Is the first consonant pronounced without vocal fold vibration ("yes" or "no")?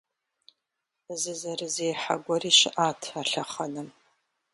no